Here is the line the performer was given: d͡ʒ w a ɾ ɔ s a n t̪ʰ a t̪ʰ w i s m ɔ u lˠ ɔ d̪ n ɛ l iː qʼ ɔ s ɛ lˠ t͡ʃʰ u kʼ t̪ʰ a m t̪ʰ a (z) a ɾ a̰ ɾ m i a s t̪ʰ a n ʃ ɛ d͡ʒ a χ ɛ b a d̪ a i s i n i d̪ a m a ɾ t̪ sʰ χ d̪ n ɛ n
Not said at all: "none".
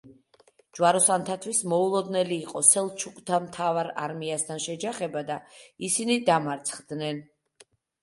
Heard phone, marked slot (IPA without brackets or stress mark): v